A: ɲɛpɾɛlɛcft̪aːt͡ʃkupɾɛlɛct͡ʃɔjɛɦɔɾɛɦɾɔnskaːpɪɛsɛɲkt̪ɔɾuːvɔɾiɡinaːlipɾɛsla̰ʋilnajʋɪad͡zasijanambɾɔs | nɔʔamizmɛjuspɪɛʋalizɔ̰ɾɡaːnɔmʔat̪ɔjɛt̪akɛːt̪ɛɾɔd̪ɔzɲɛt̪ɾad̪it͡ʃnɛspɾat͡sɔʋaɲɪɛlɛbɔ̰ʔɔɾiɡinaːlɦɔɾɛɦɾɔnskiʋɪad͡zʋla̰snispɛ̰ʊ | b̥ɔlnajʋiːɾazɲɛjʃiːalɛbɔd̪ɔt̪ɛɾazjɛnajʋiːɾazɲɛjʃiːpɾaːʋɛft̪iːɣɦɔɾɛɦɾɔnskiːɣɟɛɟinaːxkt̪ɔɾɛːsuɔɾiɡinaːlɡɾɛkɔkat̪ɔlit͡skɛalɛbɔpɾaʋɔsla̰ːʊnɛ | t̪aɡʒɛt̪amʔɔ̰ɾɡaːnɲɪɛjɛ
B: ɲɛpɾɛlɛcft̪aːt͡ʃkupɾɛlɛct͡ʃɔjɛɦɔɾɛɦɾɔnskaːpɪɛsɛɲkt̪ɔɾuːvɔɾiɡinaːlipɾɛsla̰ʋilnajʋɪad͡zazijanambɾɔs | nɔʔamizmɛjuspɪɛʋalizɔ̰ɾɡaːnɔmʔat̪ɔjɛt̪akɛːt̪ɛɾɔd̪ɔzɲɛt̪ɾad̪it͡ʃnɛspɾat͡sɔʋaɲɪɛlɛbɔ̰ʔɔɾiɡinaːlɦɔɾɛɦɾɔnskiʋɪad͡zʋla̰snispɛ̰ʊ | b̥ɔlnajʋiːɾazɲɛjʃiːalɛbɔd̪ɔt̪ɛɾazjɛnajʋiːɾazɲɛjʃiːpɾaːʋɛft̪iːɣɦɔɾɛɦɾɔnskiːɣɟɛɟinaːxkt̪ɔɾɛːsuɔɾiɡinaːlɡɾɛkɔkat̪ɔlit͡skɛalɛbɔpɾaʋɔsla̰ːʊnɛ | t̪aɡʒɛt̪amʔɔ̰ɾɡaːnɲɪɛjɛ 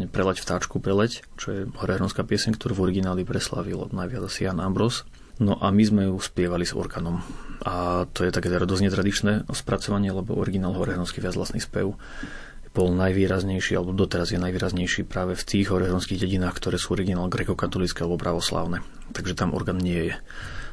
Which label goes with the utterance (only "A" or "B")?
A